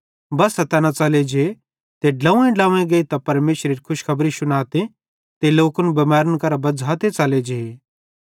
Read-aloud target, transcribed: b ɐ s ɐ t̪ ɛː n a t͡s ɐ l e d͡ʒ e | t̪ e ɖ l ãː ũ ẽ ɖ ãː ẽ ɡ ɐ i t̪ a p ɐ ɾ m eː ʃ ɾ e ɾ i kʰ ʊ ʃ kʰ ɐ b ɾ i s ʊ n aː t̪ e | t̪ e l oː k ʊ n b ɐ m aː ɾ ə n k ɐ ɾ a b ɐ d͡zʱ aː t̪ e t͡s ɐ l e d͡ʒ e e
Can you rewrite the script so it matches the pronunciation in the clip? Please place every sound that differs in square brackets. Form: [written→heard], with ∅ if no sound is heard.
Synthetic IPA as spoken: b ɐ s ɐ t̪ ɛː n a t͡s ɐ l e d͡ʒ e | t̪ e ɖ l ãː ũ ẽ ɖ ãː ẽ ɡ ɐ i t̪ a p ɐ ɾ m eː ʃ ɾ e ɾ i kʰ ʊ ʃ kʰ ɐ b ɾ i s ʊ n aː t̪ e | t̪ e l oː k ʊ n b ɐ m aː ɾ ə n k ɐ ɾ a b ɐ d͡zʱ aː t̪ e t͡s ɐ l e d͡ʒ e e